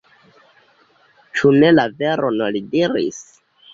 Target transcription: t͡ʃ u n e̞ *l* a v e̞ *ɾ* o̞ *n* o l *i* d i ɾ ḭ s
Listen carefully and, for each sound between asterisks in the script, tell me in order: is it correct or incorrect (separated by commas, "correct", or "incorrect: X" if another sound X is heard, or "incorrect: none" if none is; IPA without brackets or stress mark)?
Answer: correct, correct, correct, correct